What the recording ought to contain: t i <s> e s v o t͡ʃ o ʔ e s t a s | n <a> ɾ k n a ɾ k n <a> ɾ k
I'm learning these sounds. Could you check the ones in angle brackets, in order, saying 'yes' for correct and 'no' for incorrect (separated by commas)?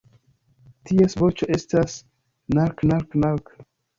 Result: no, yes, yes